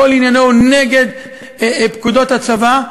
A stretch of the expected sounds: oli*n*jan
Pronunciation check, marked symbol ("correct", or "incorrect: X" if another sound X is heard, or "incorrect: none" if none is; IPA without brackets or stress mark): correct